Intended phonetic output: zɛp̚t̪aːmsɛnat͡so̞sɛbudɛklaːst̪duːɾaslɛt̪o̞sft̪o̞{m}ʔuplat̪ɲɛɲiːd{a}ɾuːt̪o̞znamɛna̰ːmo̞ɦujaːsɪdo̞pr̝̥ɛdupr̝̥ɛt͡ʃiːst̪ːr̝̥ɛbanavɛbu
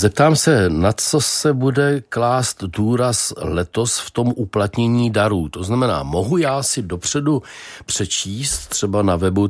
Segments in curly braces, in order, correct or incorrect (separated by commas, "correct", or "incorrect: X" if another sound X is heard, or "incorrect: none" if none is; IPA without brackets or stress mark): correct, correct